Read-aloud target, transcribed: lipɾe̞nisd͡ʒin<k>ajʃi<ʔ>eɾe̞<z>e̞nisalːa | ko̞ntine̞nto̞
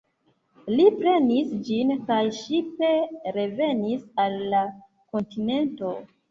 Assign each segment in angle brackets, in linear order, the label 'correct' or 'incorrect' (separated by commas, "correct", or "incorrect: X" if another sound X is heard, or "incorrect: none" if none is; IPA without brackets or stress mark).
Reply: correct, incorrect: p, incorrect: v